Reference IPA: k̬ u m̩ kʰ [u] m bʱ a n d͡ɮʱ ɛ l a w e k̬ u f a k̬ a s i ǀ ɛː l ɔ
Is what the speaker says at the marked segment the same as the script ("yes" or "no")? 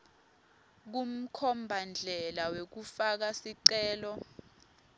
no